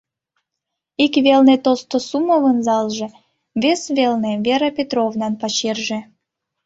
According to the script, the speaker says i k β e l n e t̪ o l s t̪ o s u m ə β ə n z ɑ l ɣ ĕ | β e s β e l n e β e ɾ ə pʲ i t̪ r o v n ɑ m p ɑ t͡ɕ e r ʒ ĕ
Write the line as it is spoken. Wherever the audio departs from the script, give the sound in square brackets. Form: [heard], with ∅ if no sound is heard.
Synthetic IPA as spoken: i k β e l n e t̪ o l s t̪ o s u m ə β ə n z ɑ l [ʒ] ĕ | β e s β e l n e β e ɾ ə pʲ [e] t̪ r o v n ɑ [n] p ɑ t͡ɕ e r ʒ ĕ